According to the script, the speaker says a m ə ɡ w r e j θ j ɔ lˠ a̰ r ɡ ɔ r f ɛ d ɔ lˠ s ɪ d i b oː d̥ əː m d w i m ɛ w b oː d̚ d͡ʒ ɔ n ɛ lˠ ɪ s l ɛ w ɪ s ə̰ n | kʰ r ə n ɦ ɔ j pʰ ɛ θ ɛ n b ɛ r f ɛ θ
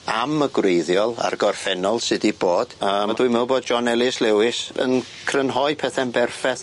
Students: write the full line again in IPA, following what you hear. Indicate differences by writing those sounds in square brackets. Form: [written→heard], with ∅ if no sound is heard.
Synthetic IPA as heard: a m ə ɡ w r e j [θ→ð] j ɔ lˠ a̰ r ɡ ɔ r f ɛ [d→n] ɔ lˠ s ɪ d i b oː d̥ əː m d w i m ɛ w b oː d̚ d͡ʒ ɔ n ɛ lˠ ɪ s l ɛ w ɪ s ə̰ n | kʰ r ə n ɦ ɔ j pʰ ɛ θ ɛ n b ɛ r f ɛ θ